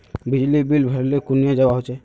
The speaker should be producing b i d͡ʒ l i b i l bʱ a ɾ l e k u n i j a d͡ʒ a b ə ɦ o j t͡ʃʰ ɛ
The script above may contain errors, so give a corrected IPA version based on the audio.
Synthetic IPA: b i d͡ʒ l i b i l bʱ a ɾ l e k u n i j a d͡ʒ a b a ɦ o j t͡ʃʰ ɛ

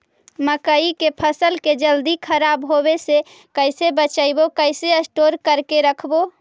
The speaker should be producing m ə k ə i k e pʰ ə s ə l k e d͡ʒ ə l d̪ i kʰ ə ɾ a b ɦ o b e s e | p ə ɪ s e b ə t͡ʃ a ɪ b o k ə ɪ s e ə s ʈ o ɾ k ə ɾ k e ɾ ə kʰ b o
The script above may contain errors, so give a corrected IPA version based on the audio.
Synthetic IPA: m ə k ə i k e pʰ ə s ə l k e d͡ʒ ə l d̪ i kʰ ə ɾ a b ɦ o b e s e | k ə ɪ s e b ə t͡ʃ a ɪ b o k ə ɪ s e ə s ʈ o ɾ k ə ɾ k e ɾ ə kʰ b o

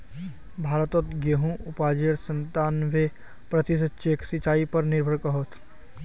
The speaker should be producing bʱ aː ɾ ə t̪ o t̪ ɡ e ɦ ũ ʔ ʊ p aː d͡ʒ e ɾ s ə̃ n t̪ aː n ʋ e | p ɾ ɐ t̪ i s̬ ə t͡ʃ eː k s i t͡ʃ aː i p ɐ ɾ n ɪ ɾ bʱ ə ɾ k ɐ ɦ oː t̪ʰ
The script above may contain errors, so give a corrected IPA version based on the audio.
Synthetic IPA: bʱ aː ɾ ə t̪ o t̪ ɡ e ɦ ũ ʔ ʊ p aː d͡ʒ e ɾ s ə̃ n t̪ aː n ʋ e | p ɾ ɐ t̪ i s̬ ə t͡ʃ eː k s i t͡ʃ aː i p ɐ ɾ n ɪ ɾ bʱ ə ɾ k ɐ ɦ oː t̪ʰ

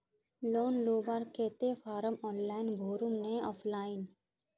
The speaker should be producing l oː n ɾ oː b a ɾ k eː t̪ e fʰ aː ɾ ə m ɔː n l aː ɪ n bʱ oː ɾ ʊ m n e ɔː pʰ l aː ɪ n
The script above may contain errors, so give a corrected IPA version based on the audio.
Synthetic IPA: l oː n l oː b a ɾ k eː t̪ e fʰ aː ɾ ə m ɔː n l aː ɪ n bʱ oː ɾ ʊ m n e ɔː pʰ l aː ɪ n

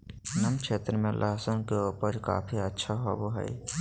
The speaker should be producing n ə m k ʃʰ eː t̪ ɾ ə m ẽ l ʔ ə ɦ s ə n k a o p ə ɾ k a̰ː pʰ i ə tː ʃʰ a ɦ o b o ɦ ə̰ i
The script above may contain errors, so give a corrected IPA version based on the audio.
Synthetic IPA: n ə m k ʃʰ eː t̪ ɾ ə m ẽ l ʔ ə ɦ s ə n k e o p ə ɾ k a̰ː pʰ i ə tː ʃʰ a ɦ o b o ɦ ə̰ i

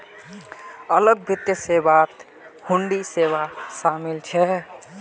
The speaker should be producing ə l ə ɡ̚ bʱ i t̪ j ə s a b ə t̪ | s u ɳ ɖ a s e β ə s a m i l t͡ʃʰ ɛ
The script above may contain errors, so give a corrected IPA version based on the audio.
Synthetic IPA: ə l ə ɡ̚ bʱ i t̪ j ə s e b a t̪ | h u ɳ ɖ i s e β a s a m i l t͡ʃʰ ɛ

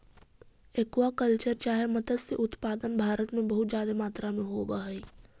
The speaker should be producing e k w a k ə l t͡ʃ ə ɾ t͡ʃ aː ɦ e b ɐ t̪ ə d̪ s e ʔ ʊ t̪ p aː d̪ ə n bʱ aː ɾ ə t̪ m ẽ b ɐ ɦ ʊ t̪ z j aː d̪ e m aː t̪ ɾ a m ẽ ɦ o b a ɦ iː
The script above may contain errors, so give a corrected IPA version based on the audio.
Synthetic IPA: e k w a k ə l t͡ʃ ə ɾ t͡ʃ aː ɦ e m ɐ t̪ ə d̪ s e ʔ ʊ t̪ p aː d̪ ə n bʱ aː ɾ ə t̪ m ẽ b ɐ ɦ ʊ t̪ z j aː d̪ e m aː t̪ ɾ a m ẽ ɦ o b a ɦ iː

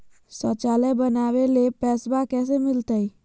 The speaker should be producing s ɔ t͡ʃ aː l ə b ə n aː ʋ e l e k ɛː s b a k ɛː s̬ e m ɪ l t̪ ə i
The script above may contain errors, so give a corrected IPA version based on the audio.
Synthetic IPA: s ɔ t͡ʃ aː l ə b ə n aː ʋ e l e p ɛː s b a k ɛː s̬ e m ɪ l t̪ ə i

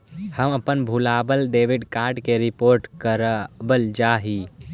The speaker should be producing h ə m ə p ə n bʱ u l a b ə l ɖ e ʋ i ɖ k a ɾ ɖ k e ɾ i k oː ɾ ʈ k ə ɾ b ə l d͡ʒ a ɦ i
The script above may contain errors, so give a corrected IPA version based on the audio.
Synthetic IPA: h ə m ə p ə n bʱ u l a b ə l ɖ e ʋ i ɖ k a ɾ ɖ k e ɾ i p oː ɾ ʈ k ə ɾ b ə l d͡ʒ a ɦ i

